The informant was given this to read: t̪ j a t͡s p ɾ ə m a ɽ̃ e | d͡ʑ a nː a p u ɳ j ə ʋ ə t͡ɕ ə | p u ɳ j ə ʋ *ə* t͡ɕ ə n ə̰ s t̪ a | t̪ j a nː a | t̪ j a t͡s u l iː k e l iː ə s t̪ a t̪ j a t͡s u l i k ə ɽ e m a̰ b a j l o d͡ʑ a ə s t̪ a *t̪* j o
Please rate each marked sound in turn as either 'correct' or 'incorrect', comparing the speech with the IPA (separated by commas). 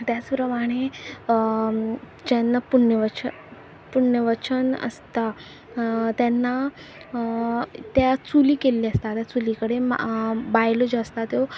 correct, correct